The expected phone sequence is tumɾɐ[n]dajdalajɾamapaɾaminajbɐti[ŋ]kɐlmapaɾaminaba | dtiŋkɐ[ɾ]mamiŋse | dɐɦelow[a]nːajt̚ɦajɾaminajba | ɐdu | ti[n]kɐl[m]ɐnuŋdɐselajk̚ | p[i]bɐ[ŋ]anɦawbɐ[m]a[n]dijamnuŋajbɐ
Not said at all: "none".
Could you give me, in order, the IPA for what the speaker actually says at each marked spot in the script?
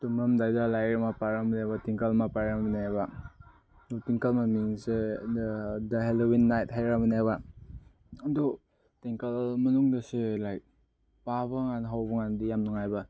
m, ŋ, l, i, ŋ, m, a, ŋ, ŋ, n

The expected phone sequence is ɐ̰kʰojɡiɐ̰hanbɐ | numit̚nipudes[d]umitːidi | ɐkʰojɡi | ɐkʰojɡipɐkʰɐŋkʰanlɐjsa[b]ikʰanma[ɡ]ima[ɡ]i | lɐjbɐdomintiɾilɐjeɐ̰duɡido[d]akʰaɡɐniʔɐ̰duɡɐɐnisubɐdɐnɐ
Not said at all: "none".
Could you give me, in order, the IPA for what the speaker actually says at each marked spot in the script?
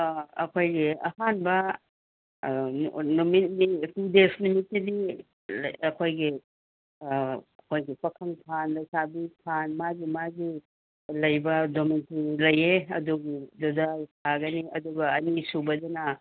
n, b, ɡ, ɡ, d

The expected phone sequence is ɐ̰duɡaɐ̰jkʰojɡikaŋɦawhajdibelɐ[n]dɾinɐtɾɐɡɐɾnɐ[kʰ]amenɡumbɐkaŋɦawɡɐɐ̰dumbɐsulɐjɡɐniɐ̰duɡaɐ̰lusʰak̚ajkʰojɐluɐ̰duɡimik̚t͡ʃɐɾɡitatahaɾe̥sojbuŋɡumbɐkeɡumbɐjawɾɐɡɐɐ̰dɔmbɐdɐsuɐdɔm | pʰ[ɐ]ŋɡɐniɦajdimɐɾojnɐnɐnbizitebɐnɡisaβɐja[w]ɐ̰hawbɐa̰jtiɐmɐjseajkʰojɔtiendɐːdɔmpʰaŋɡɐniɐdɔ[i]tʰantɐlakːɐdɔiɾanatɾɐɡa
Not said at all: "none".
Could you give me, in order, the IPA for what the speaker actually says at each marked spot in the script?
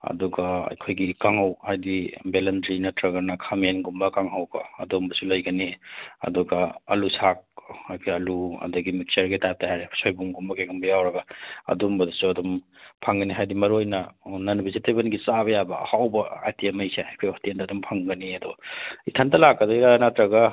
n, kʰ, a, b, i

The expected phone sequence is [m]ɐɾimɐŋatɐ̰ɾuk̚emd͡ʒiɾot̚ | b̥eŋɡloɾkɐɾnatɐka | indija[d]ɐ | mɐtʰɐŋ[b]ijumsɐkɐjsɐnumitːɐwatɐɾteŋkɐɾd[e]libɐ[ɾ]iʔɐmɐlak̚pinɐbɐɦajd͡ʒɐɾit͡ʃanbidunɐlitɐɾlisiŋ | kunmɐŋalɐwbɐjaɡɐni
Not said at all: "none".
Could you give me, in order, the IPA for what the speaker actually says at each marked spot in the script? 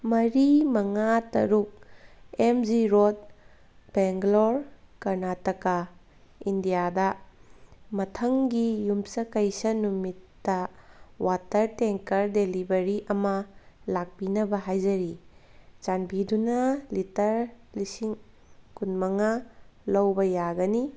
m, d, ɡ, e, ɾ

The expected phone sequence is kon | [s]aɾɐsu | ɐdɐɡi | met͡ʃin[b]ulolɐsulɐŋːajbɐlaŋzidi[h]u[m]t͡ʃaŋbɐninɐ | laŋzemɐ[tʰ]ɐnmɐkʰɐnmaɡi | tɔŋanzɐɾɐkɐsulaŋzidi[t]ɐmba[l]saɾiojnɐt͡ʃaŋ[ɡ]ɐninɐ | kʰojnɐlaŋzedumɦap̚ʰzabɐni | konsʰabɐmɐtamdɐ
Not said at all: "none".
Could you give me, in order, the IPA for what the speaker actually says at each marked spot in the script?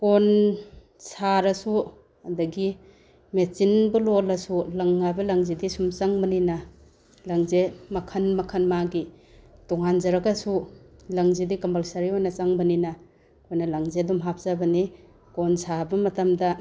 s, b, s, m, kʰ, k, l, b

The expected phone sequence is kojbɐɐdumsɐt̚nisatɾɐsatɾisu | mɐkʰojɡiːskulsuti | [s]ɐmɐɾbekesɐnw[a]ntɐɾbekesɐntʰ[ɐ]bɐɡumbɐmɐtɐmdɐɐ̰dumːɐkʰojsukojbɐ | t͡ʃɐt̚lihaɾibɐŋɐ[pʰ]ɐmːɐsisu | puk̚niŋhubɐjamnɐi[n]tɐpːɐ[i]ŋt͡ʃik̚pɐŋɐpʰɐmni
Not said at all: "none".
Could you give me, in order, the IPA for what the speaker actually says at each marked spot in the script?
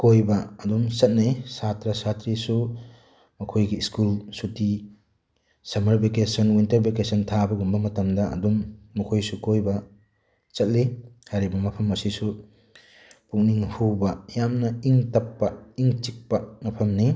s, i, a, pʰ, ŋ, i

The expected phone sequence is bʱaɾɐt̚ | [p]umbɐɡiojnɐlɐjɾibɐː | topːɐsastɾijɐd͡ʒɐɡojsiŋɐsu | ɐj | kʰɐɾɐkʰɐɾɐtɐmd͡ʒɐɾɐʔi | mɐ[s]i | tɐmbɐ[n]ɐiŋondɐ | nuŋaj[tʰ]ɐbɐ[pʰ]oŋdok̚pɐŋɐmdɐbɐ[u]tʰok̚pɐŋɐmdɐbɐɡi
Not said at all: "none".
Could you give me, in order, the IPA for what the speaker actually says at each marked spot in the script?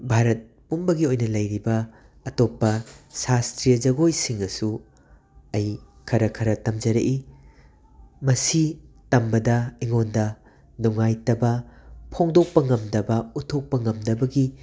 p, s, d, t, pʰ, u

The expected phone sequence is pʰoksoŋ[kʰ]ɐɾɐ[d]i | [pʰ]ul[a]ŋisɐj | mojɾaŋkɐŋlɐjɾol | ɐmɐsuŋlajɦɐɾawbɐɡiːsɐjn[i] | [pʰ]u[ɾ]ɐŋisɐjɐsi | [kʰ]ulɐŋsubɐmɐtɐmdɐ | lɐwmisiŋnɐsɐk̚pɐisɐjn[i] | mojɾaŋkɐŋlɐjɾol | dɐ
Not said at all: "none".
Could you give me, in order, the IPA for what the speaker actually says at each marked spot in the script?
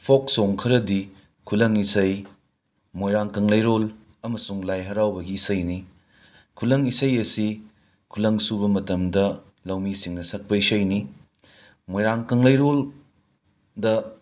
kʰ, d, kʰ, ɐ, i, kʰ, l, kʰ, i

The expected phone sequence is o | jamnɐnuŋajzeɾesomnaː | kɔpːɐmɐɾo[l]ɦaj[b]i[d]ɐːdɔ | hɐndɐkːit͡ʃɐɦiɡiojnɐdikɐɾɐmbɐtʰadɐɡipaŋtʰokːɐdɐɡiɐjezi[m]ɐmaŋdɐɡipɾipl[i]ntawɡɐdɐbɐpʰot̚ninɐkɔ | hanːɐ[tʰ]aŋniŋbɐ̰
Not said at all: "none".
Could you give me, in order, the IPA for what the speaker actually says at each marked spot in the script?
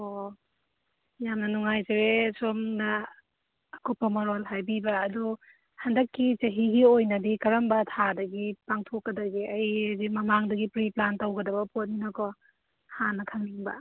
l, b, b, m, a, kʰ

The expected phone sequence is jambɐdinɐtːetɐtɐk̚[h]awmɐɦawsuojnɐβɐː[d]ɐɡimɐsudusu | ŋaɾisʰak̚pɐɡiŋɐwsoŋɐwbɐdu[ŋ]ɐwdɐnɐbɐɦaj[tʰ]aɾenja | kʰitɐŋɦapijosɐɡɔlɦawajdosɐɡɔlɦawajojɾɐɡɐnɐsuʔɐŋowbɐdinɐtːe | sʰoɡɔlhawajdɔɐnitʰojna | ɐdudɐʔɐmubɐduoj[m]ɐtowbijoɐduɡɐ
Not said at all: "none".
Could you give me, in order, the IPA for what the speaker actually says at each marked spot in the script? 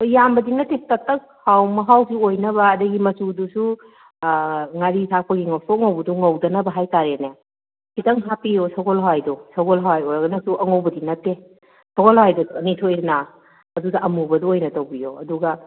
h, d, ŋ, t, n

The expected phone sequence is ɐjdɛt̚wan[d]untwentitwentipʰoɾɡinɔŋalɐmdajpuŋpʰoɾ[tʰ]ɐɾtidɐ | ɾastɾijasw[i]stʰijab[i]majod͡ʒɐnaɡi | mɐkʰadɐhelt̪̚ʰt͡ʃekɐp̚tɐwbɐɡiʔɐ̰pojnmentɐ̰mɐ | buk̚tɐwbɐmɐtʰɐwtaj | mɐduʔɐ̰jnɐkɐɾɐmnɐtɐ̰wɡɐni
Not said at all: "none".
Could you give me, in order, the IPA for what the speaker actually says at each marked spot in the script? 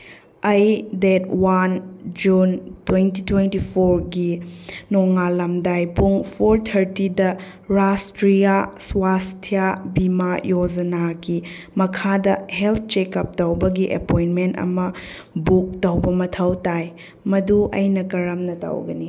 d͡ʒ, tʰ, a, i

